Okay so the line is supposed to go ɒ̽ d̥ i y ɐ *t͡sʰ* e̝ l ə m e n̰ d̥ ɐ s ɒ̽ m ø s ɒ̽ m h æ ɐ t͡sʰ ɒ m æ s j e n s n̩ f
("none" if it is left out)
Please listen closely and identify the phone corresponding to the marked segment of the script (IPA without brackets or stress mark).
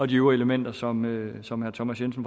none